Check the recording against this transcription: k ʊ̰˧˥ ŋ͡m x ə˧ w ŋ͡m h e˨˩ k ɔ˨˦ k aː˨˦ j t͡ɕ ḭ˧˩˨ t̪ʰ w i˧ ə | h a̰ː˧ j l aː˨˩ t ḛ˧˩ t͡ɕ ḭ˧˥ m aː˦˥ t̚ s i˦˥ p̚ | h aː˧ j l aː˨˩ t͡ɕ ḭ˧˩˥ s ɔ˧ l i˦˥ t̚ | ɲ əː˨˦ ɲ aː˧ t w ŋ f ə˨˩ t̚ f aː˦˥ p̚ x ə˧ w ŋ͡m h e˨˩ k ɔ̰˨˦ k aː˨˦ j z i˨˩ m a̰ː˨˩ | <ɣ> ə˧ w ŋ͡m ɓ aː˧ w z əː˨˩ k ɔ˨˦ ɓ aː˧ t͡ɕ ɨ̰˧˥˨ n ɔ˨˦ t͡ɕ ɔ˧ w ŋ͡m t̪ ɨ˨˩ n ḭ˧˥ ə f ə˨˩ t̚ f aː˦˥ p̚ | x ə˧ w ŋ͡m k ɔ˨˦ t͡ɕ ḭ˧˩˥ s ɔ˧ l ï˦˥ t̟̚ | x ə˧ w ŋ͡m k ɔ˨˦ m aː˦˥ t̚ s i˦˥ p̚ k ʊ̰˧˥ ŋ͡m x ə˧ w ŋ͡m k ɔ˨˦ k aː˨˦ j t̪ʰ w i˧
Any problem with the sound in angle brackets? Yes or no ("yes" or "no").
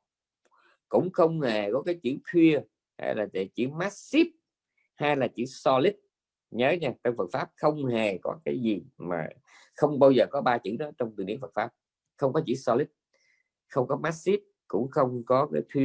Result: yes